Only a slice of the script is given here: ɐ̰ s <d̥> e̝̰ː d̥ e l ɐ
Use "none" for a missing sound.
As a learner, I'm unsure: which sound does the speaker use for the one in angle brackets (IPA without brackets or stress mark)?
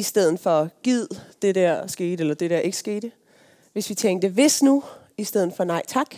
ɡ̥